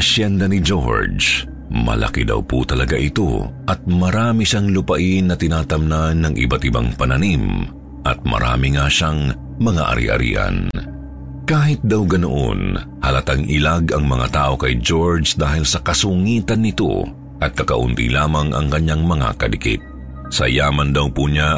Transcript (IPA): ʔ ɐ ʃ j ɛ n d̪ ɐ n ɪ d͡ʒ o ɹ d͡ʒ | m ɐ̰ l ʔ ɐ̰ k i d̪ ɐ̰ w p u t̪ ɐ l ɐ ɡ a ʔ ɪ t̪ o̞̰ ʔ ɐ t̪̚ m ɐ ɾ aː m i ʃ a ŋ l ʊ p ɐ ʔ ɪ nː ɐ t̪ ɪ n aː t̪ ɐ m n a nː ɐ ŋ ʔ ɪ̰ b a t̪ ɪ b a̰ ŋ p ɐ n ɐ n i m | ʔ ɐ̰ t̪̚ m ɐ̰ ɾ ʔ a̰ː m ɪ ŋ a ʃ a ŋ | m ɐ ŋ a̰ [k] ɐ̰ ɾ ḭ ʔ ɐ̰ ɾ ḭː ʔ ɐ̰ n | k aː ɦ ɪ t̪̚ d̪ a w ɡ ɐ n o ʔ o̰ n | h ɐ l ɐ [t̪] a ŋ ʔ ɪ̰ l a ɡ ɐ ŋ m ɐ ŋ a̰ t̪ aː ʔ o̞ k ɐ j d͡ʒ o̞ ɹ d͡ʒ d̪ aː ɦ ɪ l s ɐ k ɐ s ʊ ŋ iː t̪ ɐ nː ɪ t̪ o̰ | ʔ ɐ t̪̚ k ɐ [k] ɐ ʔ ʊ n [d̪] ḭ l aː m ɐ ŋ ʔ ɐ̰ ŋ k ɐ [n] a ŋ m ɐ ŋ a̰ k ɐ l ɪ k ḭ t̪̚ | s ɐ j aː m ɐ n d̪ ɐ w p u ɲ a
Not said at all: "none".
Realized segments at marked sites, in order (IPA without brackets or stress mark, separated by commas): ʔ, t̪, k, t̪, ɲ